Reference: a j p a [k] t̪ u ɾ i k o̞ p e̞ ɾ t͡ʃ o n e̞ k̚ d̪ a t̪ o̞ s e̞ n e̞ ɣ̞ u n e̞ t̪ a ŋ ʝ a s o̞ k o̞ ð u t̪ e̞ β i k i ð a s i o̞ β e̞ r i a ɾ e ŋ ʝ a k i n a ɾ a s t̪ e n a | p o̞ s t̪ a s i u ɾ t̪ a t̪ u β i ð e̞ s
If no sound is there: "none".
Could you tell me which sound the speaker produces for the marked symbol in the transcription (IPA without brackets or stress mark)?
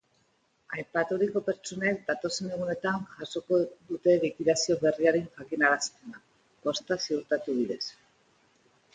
none